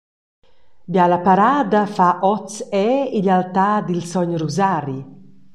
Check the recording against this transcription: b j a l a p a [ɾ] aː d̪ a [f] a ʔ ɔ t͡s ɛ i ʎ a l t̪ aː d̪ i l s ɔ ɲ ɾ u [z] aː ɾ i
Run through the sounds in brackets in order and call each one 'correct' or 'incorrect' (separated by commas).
correct, correct, correct